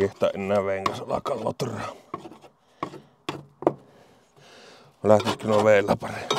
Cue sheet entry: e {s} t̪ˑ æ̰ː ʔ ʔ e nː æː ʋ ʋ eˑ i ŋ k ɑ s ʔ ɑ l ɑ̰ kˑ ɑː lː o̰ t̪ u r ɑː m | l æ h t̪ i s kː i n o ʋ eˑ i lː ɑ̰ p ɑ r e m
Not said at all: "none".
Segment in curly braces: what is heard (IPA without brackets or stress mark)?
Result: h